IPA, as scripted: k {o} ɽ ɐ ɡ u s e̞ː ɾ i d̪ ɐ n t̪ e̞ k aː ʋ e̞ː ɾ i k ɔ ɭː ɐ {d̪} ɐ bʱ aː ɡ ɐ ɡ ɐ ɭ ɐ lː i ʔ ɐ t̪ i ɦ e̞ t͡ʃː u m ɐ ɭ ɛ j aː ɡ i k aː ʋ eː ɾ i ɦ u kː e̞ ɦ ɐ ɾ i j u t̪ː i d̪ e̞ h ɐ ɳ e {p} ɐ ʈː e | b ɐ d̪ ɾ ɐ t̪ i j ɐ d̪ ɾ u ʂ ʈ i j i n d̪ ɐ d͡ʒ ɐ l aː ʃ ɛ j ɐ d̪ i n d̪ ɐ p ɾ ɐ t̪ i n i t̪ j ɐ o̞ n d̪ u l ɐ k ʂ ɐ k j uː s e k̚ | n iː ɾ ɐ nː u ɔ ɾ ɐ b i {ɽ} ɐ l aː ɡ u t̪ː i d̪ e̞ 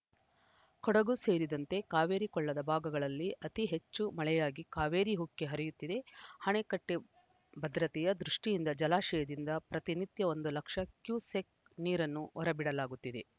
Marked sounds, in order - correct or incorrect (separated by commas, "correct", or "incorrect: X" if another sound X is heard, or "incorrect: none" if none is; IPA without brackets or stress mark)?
incorrect: ɔ, correct, incorrect: k, correct